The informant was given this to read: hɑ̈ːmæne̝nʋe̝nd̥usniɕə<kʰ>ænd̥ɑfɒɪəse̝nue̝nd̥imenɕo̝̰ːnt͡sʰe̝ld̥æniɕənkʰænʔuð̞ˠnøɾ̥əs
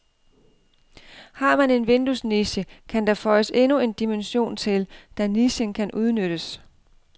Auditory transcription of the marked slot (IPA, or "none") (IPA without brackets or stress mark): kʰ